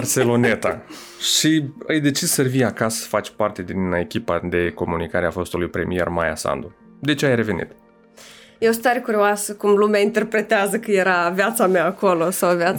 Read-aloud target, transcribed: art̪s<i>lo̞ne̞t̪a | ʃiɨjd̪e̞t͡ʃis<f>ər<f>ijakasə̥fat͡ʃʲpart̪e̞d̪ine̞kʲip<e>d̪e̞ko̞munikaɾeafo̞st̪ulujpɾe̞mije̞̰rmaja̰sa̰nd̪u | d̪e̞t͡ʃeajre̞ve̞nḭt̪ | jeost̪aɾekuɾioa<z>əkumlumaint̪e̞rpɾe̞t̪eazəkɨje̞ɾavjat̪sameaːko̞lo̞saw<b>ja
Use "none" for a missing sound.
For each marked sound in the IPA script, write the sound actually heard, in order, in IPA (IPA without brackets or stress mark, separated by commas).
e, s, v, a, s, v